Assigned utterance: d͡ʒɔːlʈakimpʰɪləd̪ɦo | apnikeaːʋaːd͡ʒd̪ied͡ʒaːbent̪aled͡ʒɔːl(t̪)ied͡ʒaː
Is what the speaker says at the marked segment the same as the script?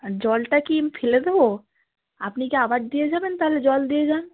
no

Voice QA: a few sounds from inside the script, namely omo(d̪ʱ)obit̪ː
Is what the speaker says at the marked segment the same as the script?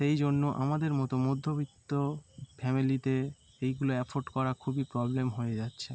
no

